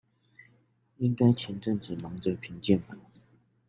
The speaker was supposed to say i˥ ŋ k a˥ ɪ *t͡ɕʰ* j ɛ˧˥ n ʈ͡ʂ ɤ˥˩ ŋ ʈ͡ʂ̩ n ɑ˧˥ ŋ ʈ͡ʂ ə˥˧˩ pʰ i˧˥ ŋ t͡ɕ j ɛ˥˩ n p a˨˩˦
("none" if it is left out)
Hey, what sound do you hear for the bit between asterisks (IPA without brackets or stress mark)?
t͡ɕʰ